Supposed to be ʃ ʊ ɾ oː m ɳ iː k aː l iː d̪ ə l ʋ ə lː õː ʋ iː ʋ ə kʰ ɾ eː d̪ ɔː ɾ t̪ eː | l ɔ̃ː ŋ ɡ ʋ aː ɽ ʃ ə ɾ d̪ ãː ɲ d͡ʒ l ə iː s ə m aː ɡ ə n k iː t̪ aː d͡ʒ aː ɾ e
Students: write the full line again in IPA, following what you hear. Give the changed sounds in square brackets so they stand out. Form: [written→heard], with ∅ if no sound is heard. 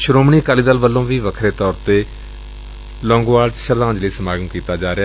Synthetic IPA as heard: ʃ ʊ ɾ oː m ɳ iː k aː l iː d̪ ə l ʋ ə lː õː ʋ iː ʋ ə kʰ ɾ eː [d̪→t̪] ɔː ɾ t̪ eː | l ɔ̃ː ŋ ɡ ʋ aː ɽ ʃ ə ɾ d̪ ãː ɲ d͡ʒ l ə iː s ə m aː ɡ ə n k iː t̪ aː d͡ʒ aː ɾ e